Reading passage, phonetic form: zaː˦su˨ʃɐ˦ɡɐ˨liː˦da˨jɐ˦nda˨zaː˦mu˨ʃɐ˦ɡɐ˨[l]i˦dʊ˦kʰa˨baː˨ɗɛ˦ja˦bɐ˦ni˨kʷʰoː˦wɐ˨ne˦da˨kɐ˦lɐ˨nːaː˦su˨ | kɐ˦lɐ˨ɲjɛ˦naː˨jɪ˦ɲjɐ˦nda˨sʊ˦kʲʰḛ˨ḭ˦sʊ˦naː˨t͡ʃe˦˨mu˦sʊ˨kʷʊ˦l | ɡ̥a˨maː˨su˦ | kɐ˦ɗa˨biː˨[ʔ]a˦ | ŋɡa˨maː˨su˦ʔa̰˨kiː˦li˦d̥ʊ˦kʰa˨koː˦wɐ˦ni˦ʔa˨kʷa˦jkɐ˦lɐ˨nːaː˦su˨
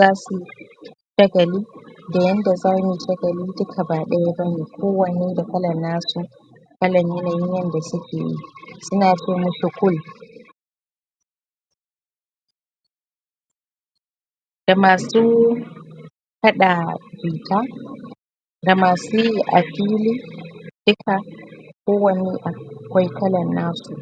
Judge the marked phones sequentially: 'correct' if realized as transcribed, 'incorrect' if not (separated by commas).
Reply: correct, incorrect